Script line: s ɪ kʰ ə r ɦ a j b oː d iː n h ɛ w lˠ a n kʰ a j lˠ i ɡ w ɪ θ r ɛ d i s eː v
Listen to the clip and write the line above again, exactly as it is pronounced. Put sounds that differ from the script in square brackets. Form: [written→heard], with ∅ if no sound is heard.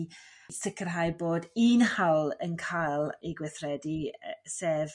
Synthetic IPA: s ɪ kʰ ə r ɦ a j b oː d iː n h [ɛ→a] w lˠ [a→ə] n kʰ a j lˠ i ɡ w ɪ θ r ɛ d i s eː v